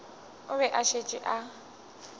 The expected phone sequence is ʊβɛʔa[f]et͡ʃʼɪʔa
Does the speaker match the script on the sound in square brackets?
no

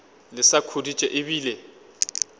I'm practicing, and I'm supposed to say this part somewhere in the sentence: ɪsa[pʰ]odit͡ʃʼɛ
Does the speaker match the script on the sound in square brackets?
no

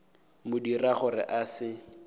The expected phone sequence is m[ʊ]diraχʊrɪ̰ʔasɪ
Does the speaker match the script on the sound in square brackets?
yes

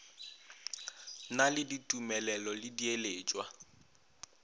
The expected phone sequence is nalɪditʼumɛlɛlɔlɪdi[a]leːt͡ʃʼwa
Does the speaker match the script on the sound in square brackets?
no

